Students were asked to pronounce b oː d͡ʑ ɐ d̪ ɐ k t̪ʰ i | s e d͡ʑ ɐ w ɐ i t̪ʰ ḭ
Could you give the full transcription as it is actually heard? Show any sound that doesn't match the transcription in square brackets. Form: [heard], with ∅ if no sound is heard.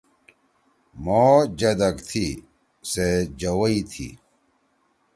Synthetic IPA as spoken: [m] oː d͡ʑ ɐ d̪ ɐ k t̪ʰ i | s e d͡ʑ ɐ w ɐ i t̪ʰ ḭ